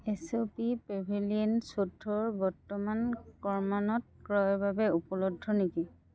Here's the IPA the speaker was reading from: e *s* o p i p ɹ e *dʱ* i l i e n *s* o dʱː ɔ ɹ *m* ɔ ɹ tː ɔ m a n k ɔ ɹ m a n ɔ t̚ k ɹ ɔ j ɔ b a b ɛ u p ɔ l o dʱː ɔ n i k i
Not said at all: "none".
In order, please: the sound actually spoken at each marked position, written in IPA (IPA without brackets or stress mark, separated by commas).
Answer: s, bʱ, s, b